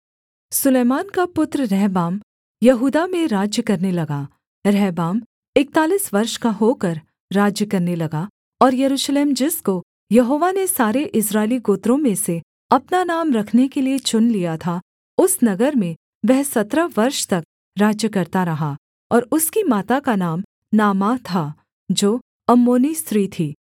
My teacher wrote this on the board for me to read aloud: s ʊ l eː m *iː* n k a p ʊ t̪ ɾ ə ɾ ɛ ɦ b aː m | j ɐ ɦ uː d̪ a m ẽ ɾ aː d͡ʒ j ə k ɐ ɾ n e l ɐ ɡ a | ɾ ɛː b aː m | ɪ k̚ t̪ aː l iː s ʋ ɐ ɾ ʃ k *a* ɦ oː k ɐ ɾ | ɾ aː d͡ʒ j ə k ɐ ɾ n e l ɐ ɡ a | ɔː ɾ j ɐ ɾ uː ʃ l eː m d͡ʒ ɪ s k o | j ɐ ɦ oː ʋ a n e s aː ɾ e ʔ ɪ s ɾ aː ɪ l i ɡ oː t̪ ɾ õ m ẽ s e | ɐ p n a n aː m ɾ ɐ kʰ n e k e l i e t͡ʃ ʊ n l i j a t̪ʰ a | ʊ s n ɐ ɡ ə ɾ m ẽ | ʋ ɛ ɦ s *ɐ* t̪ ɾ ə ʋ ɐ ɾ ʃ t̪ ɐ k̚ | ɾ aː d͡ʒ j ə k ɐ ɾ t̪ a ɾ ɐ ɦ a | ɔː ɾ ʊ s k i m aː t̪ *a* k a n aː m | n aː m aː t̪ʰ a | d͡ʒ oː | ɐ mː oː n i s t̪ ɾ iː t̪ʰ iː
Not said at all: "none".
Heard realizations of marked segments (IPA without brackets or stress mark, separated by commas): aː, a, ɐ, a